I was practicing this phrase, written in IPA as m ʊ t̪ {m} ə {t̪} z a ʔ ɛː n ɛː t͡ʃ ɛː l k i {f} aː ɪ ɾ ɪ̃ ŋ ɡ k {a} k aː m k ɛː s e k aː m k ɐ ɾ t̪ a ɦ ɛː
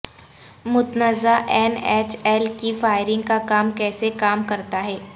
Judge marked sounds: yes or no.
no, no, yes, yes

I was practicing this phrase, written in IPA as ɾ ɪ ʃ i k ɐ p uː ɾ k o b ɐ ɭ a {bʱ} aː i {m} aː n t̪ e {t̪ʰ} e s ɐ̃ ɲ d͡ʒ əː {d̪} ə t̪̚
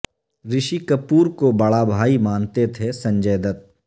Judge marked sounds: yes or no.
yes, yes, yes, yes

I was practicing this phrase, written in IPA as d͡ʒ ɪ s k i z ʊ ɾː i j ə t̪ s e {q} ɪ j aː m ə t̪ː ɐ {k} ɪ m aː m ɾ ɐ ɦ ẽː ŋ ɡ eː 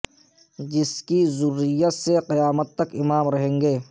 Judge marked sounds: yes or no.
yes, yes

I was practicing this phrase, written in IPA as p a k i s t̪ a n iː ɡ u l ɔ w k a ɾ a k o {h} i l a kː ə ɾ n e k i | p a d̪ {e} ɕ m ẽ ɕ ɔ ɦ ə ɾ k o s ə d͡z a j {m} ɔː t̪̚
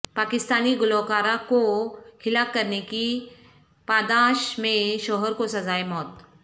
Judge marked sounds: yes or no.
yes, no, yes

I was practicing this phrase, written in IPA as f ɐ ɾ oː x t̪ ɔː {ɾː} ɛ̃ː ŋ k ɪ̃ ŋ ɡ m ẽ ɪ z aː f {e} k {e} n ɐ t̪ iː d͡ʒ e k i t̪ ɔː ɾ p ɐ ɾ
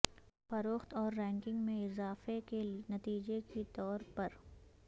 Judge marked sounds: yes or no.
yes, yes, yes

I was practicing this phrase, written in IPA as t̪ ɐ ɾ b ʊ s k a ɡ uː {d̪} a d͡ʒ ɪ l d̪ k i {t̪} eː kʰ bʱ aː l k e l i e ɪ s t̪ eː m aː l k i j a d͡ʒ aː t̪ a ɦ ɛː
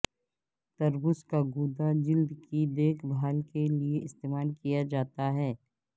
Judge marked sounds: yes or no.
yes, no

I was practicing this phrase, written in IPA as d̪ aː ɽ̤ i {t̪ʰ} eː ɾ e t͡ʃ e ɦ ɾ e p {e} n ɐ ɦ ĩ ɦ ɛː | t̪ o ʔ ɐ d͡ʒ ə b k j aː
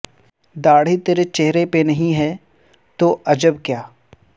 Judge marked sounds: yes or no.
no, yes

